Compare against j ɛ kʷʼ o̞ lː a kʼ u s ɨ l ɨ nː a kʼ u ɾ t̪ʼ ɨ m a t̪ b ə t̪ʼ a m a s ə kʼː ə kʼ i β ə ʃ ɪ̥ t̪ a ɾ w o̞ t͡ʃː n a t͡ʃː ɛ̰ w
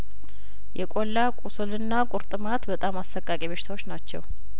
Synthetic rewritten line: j ɛ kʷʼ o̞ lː a kʼ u s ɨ l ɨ nː a kʼ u ɾ t̪ʼ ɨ m a t̪ b ə t̪ʼ a m a s ə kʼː a kʼ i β ə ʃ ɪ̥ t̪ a w o̞ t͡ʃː n a t͡ʃː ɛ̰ w